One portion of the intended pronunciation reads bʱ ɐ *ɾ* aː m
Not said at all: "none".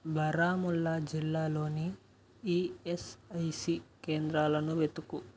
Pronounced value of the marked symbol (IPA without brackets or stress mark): ɾ